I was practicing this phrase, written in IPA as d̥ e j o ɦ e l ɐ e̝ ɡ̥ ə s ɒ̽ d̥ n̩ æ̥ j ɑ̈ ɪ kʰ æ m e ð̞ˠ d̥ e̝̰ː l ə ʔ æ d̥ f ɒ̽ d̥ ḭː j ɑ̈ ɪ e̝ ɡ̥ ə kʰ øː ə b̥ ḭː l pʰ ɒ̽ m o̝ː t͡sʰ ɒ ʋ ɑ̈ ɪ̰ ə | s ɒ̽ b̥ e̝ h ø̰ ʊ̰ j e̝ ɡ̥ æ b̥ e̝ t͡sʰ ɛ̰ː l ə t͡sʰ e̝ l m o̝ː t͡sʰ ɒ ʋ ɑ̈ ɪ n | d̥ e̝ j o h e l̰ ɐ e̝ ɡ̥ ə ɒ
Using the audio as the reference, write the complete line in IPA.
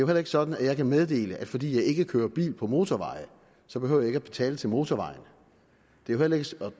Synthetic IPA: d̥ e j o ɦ e l ɐ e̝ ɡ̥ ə s ɒ̽ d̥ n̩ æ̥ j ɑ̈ ɪ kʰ æ m e ð̞ˠ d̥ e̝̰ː l ə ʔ æ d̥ f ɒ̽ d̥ ḭː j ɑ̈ ɪ e̝ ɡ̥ ə kʰ øː ɐ b̥ ḭː l pʰ ɒ̽ m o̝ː t͡sʰ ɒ ʋ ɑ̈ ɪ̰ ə | s ɒ̽ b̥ e̝ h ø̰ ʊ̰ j e̝ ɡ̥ æ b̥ e̝ t͡sʰ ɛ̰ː l ə t͡sʰ e̝ l m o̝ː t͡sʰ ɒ ʋ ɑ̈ ɪ n | d̥ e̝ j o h e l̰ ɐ e̝ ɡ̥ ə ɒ

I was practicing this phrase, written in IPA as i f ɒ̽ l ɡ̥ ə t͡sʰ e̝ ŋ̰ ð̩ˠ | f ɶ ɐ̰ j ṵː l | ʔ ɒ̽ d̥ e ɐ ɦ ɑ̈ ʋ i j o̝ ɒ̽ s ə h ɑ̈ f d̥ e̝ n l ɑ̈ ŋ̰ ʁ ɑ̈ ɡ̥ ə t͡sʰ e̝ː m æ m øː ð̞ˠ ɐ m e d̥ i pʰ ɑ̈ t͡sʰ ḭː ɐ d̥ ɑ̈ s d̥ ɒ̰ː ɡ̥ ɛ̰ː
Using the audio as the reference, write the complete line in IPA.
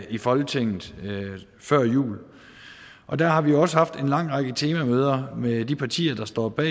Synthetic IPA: i f ɒ̽ l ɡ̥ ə t͡sʰ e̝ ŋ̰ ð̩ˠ | f ɶ ɐ̰ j ṵː l | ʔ ɒ̽ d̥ æ ɐ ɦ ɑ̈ ʋ i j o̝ ɒ̽ s ə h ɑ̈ f d̥ e̝ n l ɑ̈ ŋ̰ ʁ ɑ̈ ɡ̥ ə t͡sʰ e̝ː m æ m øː ð̞ˠ ɐ m e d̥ i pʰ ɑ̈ t͡sʰ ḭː ɐ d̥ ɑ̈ s d̥ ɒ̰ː b̥ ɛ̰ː

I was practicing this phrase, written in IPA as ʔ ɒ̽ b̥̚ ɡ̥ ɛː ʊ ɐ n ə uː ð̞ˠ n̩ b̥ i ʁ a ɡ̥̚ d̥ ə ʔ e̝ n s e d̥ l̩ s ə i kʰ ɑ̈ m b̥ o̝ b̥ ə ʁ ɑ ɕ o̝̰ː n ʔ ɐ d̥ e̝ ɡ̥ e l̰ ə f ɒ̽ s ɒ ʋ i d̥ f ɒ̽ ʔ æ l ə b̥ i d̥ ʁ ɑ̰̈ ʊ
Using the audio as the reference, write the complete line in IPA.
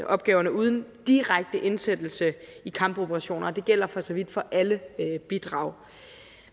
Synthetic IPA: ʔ ɒ̽ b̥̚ ɡ̥ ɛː ʊ ɐ n ə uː ð̞ˠ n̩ d̥ i ʁ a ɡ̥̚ d̥ ə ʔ e̝ n s e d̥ l̩ s ə i kʰ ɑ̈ m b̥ o̝ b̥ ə ʁ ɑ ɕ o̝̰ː n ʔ ɐ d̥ e̝ ɡ̥ e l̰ ɐ f ɒ̽ s ɒ ʋ i d̥ f ɒ̽ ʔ æ l ə b̥ i d̥ ʁ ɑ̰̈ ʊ

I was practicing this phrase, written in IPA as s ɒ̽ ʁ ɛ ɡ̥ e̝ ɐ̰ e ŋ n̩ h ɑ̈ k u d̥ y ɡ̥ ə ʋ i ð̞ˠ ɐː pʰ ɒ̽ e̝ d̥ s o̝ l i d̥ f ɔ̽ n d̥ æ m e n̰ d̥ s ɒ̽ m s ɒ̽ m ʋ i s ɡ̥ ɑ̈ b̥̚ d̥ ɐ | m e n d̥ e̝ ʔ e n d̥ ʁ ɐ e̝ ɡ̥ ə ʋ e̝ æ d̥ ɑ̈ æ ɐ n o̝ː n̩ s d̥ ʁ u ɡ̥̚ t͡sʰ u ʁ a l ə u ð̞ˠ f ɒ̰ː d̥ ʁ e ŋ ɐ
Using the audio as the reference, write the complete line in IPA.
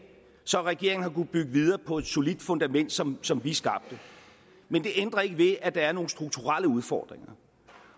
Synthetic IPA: s ɒ̽ ʁ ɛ ɡ̥ e̝ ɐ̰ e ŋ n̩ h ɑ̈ k u b̥ y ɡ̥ ə ʋ i ð̞ˠ ɐː pʰ ɒ̽ e̝ d̥ s o̝ l i d̥ f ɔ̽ n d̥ æ m e n̰ d̥ s ɒ̽ m s ɒ̽ m ʋ i s ɡ̥ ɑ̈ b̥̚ d̥ ə | m e n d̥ e̝ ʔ e n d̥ ʁ ɐ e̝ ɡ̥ ə ʋ e̝ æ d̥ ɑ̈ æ ɐ n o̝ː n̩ s d̥ ʁ u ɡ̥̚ t͡sʰ u ʁ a l ə u ð̞ˠ f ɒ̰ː d̥ ʁ e ŋ ɐ

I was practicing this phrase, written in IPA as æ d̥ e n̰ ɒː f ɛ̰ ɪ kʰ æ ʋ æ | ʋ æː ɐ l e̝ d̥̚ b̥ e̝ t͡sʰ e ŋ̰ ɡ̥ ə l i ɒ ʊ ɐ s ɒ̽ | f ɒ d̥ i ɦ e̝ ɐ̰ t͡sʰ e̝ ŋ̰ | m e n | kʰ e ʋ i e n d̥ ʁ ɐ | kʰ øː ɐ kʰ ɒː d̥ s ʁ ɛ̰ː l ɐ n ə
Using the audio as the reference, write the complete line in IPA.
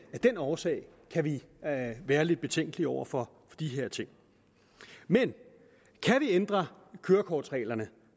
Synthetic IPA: æ d̥ e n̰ ɒː s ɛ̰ ɪ kʰ æ ʋ i | ʋ æː ɐ l e̝ d̥̚ b̥ e̝ t͡sʰ e ŋ̰ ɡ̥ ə l i ɒ ʊ ɐ f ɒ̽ | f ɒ d̥ i ɦ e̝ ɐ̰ t͡sʰ e̝ ŋ̰ | m e n | kʰ æ ʋ i e n d̥ ʁ ɐ | kʰ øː ɐ kʰ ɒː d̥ s ʁ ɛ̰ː l ɐ n ə

